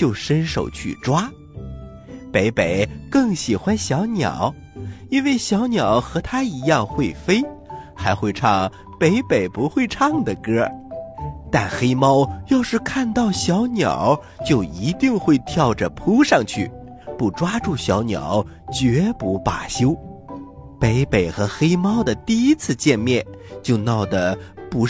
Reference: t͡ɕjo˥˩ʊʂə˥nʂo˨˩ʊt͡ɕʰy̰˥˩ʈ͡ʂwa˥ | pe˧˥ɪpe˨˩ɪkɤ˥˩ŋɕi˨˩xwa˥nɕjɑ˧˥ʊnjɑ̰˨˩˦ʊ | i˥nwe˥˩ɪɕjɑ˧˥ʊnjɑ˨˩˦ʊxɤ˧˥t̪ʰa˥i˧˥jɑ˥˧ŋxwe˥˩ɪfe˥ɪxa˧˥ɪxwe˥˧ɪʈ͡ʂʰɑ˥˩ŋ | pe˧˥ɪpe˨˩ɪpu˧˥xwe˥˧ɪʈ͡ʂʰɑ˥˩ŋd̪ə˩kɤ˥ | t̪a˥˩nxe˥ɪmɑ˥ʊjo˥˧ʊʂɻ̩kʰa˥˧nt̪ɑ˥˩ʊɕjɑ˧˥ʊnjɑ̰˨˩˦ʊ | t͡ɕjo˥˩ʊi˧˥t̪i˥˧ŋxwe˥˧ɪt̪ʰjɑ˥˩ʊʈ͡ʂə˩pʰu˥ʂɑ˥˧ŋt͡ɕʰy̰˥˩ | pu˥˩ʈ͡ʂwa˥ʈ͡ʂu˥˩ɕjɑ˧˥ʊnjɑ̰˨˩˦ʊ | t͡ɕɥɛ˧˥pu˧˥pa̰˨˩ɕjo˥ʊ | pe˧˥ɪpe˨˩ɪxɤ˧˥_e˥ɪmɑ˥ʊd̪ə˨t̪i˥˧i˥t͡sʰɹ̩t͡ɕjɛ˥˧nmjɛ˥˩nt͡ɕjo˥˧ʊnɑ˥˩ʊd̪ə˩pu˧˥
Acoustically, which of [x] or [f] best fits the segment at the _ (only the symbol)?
x